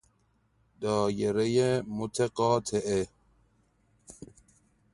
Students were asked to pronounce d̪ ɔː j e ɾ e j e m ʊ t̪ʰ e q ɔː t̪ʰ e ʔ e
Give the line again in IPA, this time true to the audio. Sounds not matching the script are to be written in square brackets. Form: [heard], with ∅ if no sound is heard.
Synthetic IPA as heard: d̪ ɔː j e ɾ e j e m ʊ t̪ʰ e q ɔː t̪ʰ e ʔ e

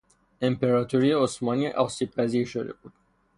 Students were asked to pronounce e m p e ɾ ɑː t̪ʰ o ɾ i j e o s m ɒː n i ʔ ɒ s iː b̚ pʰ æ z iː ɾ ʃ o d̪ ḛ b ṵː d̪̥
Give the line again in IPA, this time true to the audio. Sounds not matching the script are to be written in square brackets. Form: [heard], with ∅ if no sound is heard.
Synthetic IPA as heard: e m p e ɾ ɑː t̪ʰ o ɾ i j e o s m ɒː n i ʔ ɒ s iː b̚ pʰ æ z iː ɾ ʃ o d̪ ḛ b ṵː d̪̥

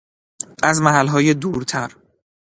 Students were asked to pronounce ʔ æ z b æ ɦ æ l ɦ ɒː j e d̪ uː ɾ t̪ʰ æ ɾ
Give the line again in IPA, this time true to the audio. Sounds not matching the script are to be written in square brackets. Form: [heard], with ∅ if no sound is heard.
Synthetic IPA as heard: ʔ æ z [m] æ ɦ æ l ɦ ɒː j e d̪ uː ɾ t̪ʰ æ ɾ

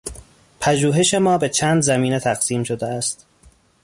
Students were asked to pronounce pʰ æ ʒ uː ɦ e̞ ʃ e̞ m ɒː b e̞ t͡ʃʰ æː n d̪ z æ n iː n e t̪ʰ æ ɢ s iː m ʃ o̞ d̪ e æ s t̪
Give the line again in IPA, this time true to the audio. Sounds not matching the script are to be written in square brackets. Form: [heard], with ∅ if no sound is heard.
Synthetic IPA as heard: pʰ æ ʒ uː ɦ e̞ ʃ e̞ m ɒː b e̞ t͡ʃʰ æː n d̪ z æ [m] iː n e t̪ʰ æ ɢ s iː m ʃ o̞ d̪ e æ s t̪

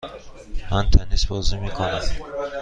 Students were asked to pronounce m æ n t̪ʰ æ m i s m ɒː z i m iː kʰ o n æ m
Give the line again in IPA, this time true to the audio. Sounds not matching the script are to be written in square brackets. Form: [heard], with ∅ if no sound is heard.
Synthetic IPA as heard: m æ n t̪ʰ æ [n] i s [b] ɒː z i m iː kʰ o n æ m

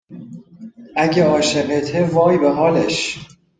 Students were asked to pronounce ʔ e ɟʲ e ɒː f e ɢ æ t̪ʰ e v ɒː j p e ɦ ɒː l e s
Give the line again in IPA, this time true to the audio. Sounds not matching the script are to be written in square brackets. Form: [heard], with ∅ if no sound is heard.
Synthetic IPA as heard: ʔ [æ] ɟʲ e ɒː [ʃ] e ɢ [e] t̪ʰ e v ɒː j [b] e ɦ ɒː l e [ʃ]

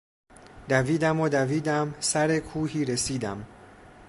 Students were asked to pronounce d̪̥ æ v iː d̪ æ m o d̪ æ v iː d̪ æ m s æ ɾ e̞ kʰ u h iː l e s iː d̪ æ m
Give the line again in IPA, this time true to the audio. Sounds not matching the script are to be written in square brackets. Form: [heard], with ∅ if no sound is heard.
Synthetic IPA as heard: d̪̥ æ v iː d̪ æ m o d̪ æ v iː d̪ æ m s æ ɾ e̞ kʰ [uː] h iː [ɾ] e s iː d̪ æ m

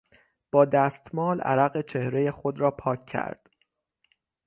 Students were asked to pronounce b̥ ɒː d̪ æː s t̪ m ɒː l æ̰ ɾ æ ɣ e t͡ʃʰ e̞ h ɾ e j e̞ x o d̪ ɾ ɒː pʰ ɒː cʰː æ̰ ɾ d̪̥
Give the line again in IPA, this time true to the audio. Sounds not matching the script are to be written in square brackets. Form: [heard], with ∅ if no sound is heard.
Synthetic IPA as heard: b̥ ɒː d̪ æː s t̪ m ɒː l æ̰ ɾ æ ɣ e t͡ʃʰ e̞ h ɾ e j e̞ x o d̪ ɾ ɒː pʰ ɒː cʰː æ̰ ɾ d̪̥

